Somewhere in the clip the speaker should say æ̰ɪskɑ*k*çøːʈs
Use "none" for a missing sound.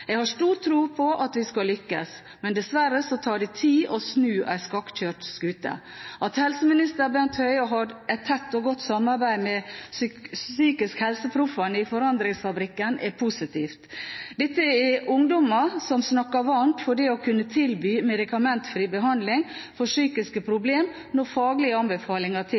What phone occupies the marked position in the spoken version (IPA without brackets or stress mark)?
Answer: k